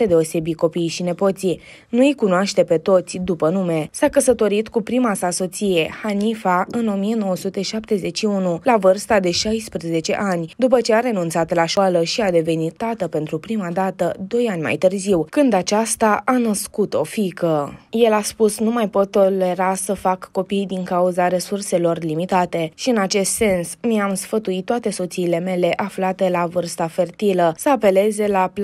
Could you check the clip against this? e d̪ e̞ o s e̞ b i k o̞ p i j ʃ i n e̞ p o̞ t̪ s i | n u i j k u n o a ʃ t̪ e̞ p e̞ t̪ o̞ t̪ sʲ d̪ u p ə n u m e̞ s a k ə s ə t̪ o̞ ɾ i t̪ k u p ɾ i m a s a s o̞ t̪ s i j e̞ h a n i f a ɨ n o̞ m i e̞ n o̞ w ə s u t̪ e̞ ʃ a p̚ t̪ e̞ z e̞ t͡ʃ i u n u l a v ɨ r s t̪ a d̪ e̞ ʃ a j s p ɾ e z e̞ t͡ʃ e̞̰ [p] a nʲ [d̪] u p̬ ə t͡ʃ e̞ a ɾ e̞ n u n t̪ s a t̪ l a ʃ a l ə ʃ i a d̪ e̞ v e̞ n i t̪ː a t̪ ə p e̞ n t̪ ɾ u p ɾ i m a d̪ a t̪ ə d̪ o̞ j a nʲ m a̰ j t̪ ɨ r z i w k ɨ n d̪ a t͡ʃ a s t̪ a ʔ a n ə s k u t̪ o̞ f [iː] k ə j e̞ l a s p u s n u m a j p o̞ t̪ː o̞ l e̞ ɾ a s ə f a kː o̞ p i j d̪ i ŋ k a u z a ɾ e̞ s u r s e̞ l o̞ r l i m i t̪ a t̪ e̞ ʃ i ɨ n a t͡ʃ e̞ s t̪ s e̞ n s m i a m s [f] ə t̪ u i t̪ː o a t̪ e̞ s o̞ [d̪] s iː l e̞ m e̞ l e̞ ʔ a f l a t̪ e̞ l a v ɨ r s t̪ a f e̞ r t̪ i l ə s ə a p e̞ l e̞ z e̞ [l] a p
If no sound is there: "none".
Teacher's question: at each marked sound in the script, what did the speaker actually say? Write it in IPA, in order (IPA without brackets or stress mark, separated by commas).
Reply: ʔ, d̪, i, f, t̪, l